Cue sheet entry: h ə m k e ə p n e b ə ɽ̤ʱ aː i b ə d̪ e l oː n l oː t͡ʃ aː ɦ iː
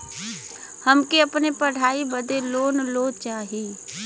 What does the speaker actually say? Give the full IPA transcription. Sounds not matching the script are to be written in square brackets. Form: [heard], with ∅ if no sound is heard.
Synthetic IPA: h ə m k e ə p n e [p] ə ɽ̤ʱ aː i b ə d̪ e l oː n l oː t͡ʃ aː ɦ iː